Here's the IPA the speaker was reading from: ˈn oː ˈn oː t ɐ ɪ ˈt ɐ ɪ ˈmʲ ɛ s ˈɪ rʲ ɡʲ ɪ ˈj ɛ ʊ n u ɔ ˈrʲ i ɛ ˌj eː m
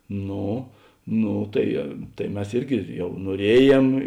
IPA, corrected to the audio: ˈn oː ˈn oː t ɐ ɪ ˈt ɐ ɪ ˈmʲ ɛ s ˈɪ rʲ ɡʲ ɪ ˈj ɛ ʊ n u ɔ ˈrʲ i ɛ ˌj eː m